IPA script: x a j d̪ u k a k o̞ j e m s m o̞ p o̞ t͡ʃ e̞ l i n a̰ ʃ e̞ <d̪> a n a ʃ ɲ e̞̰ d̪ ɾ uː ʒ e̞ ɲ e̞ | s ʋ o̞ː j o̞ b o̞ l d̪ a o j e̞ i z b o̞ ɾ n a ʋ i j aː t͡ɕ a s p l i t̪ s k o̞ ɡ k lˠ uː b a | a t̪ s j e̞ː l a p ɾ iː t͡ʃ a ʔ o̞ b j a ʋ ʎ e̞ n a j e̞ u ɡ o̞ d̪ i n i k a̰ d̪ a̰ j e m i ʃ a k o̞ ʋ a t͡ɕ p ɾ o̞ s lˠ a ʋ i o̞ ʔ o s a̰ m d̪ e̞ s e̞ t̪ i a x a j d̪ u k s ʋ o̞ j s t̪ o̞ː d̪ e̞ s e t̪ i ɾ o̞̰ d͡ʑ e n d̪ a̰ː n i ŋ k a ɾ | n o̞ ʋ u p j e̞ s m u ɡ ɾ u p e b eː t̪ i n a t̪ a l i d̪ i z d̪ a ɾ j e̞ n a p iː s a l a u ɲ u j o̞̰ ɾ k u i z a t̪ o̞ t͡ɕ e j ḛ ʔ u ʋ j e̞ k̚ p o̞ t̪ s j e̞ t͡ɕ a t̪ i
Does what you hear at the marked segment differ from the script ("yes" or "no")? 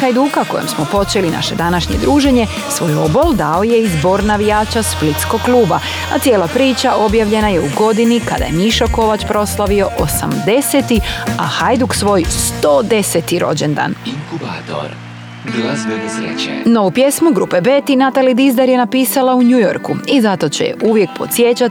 no